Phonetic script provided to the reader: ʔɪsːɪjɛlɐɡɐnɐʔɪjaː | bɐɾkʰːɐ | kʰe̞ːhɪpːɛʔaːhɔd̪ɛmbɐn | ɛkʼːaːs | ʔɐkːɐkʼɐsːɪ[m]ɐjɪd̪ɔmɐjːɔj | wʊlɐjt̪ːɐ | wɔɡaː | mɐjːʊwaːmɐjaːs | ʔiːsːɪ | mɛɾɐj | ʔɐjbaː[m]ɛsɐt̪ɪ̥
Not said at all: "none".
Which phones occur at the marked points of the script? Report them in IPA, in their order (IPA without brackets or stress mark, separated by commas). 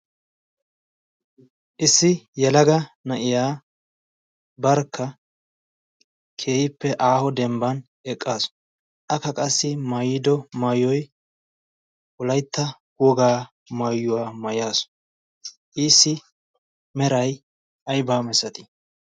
m, m